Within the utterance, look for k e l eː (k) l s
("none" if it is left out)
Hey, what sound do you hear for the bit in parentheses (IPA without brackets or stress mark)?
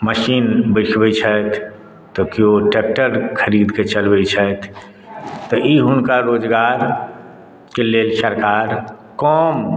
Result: none